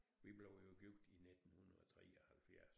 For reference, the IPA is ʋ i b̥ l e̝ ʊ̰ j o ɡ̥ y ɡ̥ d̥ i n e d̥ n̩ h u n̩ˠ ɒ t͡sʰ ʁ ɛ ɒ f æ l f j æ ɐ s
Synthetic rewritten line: ʋ i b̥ l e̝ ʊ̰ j o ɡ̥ y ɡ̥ d̥ i n e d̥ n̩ h u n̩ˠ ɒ t͡sʰ ʁ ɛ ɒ h æ l f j æ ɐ s